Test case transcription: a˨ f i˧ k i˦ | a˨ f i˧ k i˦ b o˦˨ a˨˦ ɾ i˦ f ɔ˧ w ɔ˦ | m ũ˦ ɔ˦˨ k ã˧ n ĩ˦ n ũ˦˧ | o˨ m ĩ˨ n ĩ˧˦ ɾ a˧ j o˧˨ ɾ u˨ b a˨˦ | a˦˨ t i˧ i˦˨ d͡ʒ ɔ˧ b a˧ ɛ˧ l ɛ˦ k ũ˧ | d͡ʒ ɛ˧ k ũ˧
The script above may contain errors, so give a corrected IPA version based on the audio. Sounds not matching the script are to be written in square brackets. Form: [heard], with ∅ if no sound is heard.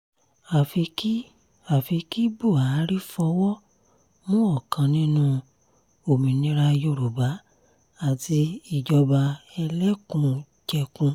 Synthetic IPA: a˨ f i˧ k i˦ | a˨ f i˧ k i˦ b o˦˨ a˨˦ ɾ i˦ f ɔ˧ w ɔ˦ | m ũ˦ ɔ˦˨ k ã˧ n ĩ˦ n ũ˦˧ | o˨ m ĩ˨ n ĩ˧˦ ɾ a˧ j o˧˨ ɾ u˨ b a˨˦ | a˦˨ t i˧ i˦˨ d͡ʒ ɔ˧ b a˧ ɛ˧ l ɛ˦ k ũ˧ | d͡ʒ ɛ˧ k ũ˧